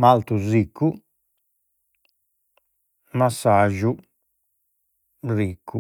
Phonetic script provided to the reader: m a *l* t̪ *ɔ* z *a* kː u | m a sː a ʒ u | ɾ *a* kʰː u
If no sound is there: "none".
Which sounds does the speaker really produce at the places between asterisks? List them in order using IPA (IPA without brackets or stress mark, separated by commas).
l, u, i, i